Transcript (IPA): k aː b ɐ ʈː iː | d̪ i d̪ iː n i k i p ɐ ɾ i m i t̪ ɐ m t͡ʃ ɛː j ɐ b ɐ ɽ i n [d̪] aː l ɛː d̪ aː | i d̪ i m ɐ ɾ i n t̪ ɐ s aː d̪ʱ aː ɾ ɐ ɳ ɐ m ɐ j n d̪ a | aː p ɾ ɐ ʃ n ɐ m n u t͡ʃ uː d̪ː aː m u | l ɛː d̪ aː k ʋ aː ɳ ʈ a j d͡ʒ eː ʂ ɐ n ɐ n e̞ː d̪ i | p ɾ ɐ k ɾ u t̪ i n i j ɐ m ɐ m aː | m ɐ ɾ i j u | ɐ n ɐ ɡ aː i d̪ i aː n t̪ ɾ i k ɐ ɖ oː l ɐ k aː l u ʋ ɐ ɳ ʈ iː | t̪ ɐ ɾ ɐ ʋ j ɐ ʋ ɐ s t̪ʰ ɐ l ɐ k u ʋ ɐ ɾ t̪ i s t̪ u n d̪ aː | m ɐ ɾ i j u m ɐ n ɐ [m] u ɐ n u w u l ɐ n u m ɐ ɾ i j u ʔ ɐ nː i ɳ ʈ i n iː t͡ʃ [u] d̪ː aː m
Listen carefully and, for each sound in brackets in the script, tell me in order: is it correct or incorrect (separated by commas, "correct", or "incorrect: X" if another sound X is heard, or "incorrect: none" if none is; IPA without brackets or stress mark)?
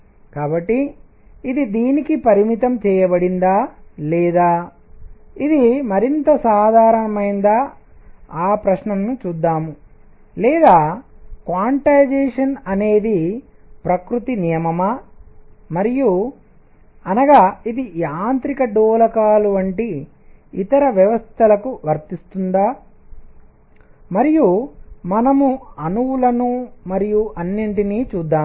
correct, correct, incorrect: uː